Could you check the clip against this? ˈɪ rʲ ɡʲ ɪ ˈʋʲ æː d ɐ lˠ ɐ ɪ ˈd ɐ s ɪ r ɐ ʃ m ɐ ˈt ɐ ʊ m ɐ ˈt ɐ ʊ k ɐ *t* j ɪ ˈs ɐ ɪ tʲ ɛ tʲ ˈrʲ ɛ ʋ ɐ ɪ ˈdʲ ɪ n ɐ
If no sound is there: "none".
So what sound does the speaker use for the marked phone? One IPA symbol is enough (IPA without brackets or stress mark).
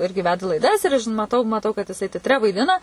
t